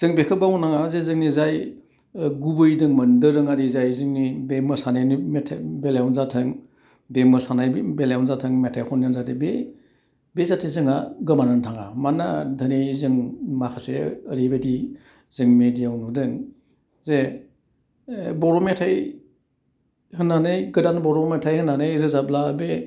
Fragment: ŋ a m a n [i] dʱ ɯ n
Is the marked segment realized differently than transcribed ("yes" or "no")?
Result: yes